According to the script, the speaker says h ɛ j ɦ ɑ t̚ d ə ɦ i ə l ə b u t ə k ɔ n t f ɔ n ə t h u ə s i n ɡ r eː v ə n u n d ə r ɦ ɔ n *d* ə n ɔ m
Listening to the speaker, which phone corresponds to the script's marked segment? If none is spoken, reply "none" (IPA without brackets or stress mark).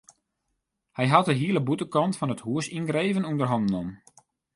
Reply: d